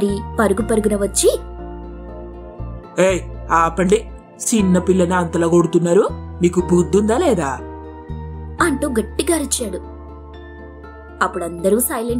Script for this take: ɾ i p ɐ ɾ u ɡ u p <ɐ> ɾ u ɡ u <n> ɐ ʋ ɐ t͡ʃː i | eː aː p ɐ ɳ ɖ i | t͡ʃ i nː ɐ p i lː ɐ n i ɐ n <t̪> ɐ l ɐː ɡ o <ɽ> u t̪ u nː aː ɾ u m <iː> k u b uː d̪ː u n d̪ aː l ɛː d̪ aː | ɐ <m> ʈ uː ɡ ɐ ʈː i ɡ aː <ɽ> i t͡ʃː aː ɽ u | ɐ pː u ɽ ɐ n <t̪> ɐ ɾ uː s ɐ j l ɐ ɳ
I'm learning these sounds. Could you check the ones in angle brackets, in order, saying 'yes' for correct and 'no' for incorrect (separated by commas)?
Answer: yes, yes, yes, yes, yes, no, no, no